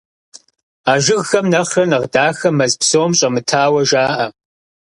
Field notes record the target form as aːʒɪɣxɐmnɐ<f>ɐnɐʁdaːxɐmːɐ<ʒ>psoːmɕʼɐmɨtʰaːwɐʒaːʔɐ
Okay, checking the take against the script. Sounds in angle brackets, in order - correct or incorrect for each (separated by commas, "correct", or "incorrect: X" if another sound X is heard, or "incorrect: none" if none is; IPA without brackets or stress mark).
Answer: incorrect: χ, incorrect: z